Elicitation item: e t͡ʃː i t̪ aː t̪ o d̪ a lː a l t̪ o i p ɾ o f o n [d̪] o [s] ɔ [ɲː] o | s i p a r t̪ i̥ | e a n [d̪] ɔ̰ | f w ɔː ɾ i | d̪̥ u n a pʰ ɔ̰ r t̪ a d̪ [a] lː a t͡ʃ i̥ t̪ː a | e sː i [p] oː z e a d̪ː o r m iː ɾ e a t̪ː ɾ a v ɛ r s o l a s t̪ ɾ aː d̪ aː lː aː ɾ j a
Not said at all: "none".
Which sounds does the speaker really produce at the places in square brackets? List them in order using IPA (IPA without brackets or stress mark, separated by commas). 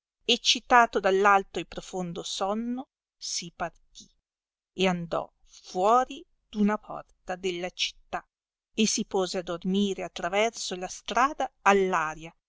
d̪, s, nː, d̪, e, p